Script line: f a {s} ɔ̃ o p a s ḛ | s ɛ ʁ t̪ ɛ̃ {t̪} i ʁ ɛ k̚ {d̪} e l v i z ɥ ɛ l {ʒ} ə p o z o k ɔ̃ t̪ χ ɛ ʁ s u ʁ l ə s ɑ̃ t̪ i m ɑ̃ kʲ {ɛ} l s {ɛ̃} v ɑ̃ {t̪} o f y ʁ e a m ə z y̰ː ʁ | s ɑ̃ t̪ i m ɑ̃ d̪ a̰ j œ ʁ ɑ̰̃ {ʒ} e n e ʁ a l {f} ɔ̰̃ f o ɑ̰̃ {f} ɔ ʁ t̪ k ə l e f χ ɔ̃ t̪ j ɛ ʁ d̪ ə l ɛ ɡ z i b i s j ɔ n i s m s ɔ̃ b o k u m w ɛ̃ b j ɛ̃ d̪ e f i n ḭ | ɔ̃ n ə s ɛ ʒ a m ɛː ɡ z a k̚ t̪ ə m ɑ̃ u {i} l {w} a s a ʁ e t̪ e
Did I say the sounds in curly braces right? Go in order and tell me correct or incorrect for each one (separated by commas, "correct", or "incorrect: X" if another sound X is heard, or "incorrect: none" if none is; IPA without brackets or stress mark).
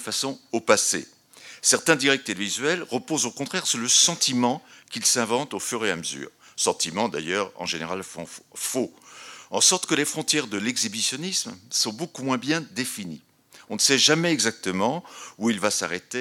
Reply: correct, incorrect: d̪, incorrect: t̪, incorrect: ʁ, incorrect: i, correct, correct, correct, correct, incorrect: s, correct, incorrect: v